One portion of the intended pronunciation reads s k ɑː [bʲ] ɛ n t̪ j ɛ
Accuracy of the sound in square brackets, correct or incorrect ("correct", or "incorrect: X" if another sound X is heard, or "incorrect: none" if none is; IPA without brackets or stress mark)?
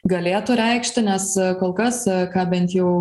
correct